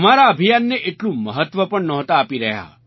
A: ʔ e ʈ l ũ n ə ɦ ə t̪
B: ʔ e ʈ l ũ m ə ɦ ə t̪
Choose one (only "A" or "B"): B